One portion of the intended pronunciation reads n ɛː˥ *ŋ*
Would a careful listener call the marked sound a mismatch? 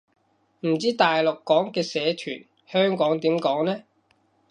yes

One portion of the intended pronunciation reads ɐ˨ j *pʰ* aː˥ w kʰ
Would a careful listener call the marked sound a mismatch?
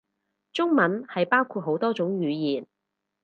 yes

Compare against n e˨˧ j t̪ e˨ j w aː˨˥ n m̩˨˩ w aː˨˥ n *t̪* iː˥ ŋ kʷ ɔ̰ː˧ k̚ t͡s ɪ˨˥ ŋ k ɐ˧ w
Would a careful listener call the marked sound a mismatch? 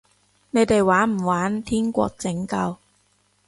yes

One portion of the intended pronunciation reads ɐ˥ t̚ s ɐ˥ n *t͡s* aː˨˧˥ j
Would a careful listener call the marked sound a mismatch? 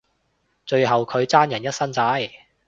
no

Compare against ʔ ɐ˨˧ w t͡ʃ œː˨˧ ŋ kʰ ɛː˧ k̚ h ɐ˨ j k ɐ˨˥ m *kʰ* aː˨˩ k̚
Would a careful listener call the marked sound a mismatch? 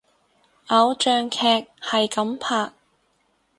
yes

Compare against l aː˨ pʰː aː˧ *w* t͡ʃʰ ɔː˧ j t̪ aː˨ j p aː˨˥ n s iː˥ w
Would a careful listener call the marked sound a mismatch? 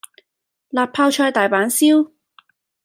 no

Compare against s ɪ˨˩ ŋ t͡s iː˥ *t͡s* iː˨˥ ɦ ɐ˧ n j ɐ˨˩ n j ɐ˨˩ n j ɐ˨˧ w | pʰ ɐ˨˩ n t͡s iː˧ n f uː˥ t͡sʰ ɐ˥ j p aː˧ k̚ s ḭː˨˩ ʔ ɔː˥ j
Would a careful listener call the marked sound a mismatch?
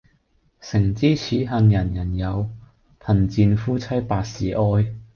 yes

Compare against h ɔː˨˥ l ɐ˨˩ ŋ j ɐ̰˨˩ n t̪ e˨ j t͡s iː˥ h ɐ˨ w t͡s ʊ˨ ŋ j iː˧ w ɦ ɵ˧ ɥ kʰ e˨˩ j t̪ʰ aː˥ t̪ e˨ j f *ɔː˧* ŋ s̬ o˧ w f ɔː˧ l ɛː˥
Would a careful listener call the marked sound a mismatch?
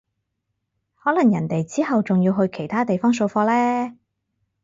yes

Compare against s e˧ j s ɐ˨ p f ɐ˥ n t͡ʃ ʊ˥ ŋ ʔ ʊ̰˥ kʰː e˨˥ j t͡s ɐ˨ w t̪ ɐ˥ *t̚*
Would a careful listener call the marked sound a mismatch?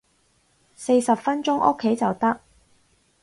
yes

